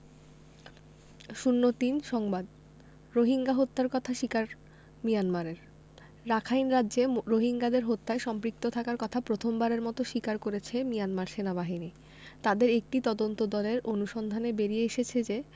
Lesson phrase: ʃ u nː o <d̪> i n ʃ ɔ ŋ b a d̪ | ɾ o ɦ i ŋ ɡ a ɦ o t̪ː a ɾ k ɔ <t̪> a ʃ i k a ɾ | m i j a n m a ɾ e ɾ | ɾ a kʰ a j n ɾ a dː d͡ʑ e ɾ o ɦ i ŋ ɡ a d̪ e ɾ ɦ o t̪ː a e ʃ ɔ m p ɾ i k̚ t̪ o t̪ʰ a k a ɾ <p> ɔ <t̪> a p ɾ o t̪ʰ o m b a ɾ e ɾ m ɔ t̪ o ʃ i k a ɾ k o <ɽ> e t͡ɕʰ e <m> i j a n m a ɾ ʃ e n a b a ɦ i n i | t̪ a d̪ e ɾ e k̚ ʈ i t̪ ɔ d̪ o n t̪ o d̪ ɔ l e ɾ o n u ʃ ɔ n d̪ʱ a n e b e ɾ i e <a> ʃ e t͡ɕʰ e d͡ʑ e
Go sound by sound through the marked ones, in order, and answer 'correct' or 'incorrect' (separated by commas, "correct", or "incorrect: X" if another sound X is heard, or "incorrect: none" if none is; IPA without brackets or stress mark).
incorrect: t̪, incorrect: t̪ʰ, incorrect: k, incorrect: t̪ʰ, incorrect: ɾ, correct, incorrect: e